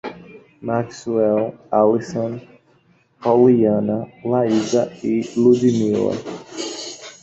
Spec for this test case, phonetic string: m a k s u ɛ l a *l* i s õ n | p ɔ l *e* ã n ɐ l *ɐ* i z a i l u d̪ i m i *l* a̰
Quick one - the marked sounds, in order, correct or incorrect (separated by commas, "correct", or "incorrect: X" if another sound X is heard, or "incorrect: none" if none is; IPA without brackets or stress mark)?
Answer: correct, incorrect: i, incorrect: a, correct